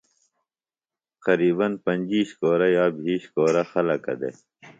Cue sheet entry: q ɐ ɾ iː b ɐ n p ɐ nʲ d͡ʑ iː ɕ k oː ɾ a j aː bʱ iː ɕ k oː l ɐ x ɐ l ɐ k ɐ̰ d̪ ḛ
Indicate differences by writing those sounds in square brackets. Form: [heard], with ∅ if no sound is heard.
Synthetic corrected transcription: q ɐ ɾ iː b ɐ n p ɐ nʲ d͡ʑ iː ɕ k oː ɾ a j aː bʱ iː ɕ k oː [ɾ] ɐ x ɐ l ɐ k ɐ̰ d̪ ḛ

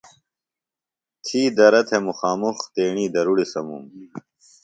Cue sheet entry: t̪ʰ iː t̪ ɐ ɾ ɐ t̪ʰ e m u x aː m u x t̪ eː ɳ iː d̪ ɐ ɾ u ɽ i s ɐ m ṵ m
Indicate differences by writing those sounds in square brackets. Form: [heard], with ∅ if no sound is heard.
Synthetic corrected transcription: t̪ʰ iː [d̪] ɐ ɾ ɐ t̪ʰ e m u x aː m u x t̪ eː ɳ iː d̪ ɐ ɾ u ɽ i s ɐ m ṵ m

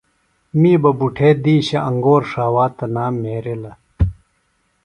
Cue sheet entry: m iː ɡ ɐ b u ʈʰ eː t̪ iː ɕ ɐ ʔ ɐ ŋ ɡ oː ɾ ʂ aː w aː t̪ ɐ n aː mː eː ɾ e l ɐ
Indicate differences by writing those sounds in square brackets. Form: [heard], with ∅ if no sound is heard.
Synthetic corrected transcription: m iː [b] ɐ b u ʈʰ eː [d̪] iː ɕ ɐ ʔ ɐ ŋ ɡ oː ɾ ʂ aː w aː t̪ ɐ n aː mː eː ɾ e l ɐ

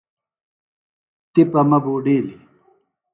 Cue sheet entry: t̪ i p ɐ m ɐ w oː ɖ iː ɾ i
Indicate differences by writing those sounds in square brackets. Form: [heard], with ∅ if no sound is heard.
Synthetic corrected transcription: t̪ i p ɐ m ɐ [b] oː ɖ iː [l] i

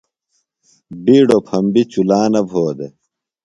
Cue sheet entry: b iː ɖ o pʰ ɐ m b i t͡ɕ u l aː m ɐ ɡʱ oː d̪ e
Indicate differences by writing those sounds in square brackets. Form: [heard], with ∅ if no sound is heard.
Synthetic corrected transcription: b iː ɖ o pʰ ɐ m b i t͡ɕ u l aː [n] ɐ [bʱ] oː d̪ e

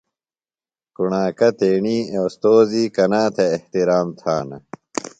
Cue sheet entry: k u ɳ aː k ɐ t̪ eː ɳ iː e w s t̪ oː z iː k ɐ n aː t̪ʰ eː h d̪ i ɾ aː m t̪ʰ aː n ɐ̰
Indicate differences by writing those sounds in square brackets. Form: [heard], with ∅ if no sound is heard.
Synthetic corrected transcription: k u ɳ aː k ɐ t̪ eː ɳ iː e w s t̪ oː z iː k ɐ n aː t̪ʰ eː h [t̪] i ɾ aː m t̪ʰ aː n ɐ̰

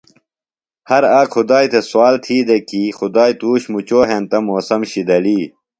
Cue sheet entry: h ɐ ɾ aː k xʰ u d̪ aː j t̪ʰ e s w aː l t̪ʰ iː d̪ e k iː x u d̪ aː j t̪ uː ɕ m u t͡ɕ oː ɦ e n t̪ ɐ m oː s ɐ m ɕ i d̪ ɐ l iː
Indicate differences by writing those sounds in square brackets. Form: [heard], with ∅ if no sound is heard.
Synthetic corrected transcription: h ɐ ɾ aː k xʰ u d̪ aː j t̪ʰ e s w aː l t̪ʰ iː d̪ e k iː x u d̪ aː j t̪ uː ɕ m u t͡ɕ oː ɦ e n t̪ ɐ m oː s ɐ m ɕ i d̪ ɐ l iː

